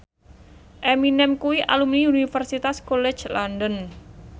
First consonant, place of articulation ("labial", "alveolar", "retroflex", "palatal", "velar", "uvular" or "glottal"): glottal